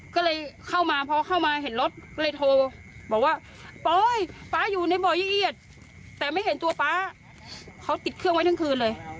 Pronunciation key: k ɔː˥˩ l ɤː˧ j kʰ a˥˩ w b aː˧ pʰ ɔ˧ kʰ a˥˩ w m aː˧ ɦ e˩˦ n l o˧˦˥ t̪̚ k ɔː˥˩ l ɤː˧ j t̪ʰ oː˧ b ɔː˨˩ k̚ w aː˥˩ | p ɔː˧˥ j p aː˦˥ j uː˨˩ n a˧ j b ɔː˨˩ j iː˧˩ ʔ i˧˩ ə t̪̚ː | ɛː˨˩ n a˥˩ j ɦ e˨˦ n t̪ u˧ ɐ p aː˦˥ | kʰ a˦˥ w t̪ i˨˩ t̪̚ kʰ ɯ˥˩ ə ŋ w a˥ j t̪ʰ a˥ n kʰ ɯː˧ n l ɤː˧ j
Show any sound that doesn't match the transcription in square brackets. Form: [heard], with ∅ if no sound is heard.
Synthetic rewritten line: k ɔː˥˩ l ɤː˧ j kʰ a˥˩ w [m] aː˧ pʰ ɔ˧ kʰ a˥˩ w m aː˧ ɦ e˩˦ n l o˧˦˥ t̪̚ k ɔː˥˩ l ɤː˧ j t̪ʰ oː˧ b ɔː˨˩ k̚ w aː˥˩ | p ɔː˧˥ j p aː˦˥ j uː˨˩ n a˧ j b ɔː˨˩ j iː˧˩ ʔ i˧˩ ə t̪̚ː | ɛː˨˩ [m] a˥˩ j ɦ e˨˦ n t̪ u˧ ɐ p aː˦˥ | kʰ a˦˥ w t̪ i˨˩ t̪̚ kʰ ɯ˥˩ ə ŋ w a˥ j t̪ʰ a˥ [ŋ] kʰ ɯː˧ n l ɤː˧ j